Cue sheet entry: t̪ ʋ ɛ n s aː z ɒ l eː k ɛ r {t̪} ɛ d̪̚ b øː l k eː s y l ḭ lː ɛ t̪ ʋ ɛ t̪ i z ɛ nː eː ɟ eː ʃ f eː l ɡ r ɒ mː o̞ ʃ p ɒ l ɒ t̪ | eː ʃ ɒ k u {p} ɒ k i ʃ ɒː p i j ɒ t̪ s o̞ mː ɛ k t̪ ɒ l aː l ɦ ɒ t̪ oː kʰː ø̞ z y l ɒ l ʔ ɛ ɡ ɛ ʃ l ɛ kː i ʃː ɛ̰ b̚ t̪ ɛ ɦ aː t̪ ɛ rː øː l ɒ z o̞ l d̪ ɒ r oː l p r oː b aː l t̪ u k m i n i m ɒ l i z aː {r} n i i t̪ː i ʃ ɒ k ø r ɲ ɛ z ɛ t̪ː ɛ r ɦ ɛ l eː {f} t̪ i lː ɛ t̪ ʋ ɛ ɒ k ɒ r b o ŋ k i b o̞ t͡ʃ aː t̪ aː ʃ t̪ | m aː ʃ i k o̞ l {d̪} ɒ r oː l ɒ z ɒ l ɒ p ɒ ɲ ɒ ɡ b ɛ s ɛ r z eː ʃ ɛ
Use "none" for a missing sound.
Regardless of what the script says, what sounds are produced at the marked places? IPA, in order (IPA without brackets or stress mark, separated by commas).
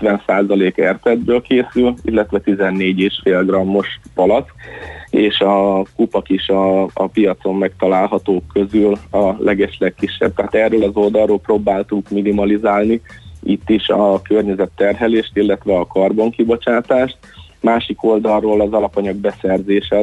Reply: t̪, p, l, ʃ, d̪